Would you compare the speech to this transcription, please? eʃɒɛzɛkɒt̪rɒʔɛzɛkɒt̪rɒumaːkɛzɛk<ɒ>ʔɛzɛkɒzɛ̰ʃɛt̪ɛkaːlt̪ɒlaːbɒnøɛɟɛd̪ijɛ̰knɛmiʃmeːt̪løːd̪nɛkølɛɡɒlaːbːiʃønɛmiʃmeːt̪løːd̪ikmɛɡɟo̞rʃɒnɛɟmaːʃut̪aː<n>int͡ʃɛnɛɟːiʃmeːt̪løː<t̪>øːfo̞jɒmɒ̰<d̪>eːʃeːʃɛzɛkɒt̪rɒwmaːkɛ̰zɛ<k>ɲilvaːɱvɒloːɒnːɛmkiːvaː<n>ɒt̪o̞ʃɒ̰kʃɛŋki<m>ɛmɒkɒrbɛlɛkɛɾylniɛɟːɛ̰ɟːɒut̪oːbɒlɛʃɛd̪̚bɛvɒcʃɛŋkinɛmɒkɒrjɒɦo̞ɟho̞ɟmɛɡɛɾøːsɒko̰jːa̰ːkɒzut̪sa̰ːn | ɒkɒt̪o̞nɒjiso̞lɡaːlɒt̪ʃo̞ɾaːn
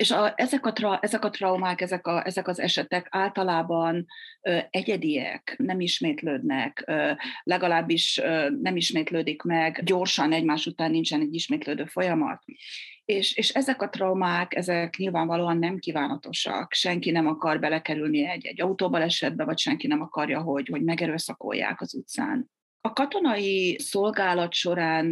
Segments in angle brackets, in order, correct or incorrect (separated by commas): correct, incorrect, incorrect, incorrect, correct, correct, incorrect